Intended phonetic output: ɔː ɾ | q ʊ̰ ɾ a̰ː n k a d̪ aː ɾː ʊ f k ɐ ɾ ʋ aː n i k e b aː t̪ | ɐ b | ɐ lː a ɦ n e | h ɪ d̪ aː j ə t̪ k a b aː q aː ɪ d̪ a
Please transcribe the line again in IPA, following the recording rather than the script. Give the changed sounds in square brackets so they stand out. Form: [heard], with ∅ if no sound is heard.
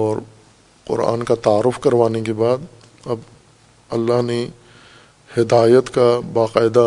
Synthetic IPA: ɔː ɾ | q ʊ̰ ɾ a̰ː n k a [t̪] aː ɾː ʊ f k ɐ ɾ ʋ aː n [e] k e b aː [d̪] | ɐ b | ɐ lː a ɦ n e | h ɪ d̪ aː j ə t̪ k a b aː q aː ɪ d̪ a